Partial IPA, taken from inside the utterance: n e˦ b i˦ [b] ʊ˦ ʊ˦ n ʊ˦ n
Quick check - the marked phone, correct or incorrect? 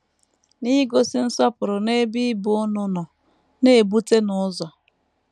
correct